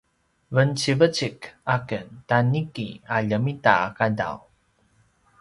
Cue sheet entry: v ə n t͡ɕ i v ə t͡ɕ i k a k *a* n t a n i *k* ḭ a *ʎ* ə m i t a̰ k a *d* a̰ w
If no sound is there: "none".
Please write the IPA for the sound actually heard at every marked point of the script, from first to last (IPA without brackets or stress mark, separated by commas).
ə, k, ʎ, d